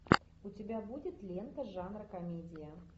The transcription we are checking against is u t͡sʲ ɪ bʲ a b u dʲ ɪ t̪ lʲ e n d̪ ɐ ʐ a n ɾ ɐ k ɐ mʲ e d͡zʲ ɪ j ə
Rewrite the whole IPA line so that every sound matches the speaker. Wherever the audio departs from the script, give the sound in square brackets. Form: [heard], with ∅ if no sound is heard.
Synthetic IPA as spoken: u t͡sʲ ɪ bʲ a b u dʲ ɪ t̪ lʲ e n [t̪] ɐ ʐ a n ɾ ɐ k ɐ mʲ e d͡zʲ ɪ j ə